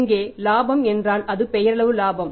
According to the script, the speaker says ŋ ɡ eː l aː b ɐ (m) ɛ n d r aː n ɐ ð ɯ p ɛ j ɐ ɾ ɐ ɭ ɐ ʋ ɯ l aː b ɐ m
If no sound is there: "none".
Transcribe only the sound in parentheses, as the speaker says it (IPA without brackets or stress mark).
m